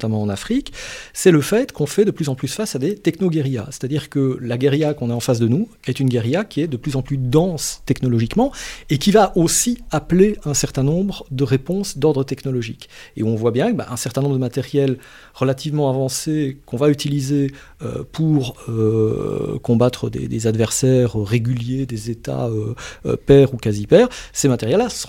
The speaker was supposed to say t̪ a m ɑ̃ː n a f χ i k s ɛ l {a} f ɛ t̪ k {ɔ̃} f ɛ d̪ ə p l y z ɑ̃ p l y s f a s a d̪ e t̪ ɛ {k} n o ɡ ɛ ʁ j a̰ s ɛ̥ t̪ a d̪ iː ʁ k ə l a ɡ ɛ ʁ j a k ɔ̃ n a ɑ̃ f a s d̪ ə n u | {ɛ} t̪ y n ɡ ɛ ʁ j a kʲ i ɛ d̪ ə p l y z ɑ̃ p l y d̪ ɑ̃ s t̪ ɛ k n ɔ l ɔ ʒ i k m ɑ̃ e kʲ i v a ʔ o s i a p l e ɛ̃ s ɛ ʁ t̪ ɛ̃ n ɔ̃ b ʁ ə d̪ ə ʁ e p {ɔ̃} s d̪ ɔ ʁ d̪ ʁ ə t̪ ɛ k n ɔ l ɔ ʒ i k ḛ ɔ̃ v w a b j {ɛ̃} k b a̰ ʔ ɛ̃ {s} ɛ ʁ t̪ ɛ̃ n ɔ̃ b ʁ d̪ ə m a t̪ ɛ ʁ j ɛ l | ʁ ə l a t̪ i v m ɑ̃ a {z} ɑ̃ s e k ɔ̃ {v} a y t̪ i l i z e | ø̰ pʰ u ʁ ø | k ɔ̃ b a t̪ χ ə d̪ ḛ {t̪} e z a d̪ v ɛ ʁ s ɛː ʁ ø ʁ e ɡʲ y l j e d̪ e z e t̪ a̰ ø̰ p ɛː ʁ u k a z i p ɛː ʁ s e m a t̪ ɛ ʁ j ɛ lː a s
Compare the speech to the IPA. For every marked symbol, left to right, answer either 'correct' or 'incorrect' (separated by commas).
incorrect, correct, correct, correct, correct, correct, correct, incorrect, correct, incorrect